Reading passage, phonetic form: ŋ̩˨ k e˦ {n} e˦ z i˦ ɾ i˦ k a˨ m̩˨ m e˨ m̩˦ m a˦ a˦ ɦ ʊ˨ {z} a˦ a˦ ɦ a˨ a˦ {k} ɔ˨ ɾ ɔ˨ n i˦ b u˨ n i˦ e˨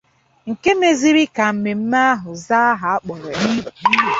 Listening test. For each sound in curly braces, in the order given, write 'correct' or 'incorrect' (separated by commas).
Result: incorrect, correct, incorrect